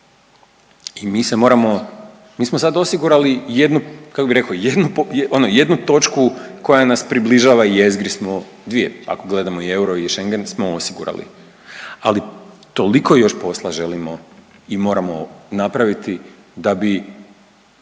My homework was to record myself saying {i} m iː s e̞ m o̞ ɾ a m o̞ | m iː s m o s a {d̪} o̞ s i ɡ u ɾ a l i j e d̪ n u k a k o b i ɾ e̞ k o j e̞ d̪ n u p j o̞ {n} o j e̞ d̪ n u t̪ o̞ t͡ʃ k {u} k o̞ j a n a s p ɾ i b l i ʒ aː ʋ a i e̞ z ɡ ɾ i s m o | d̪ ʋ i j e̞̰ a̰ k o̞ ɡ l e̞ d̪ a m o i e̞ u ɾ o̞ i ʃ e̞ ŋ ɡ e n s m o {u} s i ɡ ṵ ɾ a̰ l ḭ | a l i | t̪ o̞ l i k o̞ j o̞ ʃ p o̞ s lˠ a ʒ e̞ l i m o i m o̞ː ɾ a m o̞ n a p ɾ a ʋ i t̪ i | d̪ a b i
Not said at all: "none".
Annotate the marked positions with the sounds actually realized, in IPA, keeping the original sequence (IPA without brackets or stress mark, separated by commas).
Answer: i, d̪, n, u, o